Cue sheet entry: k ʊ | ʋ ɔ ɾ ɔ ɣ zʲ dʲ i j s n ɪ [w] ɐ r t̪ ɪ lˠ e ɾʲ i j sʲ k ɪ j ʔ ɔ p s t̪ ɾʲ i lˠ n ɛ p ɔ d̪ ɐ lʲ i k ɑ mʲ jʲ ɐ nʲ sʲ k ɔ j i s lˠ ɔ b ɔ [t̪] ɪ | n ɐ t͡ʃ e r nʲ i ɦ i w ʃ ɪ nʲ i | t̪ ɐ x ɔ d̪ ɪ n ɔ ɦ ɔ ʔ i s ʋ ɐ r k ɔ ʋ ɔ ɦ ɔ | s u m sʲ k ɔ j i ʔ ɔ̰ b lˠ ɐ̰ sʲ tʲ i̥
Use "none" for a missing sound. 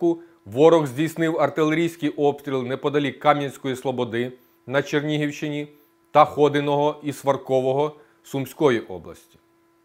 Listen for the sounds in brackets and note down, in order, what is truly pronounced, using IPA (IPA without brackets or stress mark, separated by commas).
w, d̪